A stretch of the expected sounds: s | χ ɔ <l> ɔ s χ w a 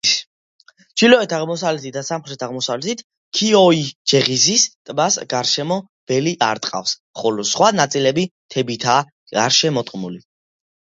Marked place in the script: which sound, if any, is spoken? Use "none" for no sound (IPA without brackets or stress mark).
l